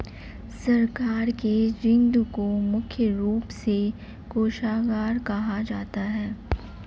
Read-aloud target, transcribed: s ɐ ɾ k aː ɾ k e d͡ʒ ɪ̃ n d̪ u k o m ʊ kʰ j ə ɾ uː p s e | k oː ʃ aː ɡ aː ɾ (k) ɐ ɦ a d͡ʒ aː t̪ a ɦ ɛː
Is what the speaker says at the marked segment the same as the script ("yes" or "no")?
yes